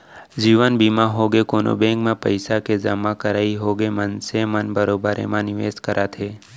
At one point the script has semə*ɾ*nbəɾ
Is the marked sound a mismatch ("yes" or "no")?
yes